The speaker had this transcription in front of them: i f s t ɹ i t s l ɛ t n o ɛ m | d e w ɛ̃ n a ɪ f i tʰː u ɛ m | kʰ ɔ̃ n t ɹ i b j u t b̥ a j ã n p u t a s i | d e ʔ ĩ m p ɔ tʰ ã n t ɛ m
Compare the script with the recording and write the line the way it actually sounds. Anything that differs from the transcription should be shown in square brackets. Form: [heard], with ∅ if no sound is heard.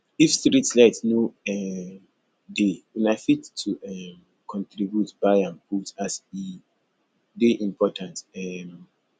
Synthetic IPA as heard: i f s t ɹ i t s l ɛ t n o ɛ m | d e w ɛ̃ n a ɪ f i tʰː u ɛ m | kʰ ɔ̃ n t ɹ i b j u t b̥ a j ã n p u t a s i | d e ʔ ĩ m p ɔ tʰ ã n t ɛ m